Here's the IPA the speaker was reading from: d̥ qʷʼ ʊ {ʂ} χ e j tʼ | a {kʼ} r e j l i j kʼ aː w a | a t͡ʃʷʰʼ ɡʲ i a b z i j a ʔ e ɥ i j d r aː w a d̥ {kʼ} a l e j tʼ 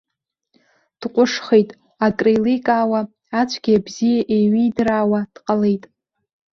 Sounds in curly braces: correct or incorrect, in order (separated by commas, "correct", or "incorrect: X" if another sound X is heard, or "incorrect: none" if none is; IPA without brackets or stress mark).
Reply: correct, correct, incorrect: qʼ